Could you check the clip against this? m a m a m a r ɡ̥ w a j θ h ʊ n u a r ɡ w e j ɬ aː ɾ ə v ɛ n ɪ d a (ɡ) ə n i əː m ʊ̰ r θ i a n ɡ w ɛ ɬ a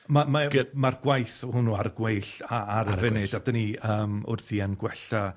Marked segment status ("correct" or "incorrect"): incorrect